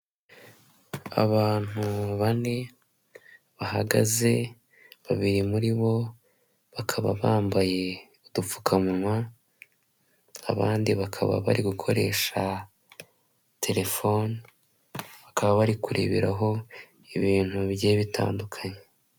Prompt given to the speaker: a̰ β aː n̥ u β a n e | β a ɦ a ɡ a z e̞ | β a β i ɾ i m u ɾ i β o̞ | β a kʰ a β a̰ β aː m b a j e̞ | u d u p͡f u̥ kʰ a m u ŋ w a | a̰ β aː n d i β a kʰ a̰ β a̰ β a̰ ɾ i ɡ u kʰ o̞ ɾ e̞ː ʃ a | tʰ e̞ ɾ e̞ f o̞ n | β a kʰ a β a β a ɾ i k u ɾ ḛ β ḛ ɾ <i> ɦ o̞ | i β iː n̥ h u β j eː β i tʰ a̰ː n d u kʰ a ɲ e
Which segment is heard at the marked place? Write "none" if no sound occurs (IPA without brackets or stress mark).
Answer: a